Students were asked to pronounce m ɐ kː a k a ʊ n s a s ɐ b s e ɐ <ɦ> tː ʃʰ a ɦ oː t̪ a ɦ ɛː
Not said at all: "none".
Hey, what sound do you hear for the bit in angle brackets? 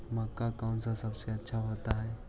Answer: none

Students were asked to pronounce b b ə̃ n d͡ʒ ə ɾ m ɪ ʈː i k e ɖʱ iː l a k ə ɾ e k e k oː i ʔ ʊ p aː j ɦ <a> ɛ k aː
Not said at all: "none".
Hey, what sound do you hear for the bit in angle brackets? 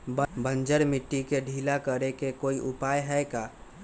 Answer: ɛ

